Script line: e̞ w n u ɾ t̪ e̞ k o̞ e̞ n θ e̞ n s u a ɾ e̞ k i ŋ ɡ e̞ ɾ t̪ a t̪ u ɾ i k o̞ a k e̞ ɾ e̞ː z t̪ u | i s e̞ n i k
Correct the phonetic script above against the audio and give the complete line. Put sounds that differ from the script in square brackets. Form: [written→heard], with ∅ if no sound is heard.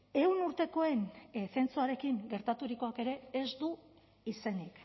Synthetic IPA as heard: e̞ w n u ɾ t̪ e̞ k o̞ e̞ n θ e̞ n [s→t͡s] u a ɾ e̞ k i ŋ ɡ e̞ ɾ t̪ a t̪ u ɾ i k o̞ a k e̞ ɾ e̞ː z [t̪→d̪] u | i s e̞ n i k